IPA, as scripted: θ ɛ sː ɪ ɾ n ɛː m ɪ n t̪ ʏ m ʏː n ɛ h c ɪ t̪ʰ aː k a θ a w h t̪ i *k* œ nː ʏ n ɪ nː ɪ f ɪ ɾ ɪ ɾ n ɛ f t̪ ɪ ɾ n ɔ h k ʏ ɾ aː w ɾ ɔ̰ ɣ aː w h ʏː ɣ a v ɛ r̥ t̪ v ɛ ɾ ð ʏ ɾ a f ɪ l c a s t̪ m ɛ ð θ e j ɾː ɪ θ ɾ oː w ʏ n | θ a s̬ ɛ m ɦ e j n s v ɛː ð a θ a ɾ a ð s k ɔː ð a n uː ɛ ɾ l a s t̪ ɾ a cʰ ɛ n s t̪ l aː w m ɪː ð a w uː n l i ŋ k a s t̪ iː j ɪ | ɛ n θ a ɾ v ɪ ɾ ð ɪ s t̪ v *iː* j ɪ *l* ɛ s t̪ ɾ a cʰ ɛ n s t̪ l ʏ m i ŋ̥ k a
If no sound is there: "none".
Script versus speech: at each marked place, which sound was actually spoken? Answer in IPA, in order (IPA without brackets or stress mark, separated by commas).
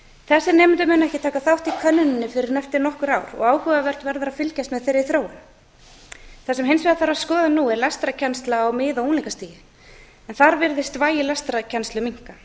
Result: kʰ, aː, l